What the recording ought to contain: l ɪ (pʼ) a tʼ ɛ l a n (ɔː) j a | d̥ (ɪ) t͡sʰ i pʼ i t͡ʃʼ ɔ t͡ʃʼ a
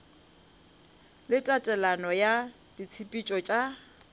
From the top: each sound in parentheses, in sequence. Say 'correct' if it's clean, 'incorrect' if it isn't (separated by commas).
incorrect, incorrect, incorrect